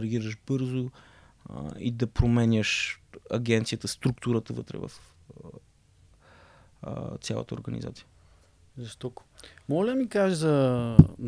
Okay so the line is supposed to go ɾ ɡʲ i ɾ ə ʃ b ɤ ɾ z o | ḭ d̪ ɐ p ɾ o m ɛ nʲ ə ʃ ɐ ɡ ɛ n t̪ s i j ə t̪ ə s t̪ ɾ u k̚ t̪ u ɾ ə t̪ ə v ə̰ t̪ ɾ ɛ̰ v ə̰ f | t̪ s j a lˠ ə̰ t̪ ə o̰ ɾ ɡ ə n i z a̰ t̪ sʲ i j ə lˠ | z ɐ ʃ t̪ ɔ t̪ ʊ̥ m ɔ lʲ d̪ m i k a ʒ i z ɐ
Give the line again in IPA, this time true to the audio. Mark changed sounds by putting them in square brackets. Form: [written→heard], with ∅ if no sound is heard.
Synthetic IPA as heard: ɾ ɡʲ i ɾ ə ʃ b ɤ ɾ z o | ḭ d̪ ɐ p ɾ o m ɛ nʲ ə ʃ ɐ ɡ ɛ n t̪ s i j ə t̪ ə s t̪ ɾ u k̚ t̪ u ɾ ə t̪ ə v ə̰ t̪ ɾ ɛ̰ v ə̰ f | t̪ s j a lˠ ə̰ t̪ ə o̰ ɾ ɡ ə n i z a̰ t̪ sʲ i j ə [lˠ→∅] | z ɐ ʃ t̪ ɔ t̪ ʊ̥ m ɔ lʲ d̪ m i k a ʒ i z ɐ